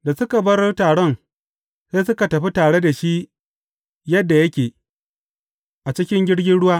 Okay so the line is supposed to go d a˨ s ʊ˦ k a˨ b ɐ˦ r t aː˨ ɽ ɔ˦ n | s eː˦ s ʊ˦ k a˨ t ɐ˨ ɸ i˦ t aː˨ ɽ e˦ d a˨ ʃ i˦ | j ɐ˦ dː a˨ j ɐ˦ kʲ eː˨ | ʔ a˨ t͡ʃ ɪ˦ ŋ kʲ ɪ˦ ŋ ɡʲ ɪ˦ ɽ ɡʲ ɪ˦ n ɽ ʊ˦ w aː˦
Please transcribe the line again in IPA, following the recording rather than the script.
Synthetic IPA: d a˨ s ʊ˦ k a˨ b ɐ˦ r t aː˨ ɽ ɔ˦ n | s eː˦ s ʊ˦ k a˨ t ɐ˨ ɸ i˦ t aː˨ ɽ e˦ d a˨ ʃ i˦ | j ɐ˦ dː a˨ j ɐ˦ kʲ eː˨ | ʔ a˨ t͡ʃ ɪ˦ kʲ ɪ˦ ŋ ɡʲ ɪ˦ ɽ ɡʲ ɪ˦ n ɽ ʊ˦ w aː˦